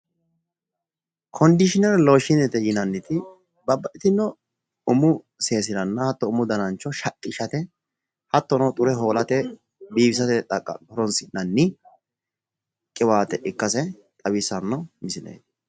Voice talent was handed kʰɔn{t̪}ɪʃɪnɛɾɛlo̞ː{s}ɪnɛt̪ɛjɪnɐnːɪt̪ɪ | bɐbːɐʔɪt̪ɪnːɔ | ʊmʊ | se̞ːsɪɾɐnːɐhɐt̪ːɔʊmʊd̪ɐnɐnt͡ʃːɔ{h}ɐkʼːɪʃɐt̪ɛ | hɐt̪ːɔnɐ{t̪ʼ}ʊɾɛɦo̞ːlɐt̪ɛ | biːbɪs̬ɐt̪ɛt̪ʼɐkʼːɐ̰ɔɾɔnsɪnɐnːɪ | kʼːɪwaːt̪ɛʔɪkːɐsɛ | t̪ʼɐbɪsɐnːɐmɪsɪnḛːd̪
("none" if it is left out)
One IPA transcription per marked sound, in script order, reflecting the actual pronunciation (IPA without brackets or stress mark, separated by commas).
d̪, ʃ, ʃ, t̪ʼ